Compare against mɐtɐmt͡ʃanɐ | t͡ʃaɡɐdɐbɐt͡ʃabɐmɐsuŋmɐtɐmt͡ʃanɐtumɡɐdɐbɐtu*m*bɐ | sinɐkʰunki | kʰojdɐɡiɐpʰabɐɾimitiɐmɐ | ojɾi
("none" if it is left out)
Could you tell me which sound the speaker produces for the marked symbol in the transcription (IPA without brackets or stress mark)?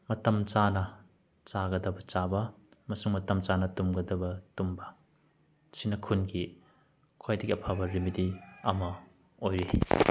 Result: m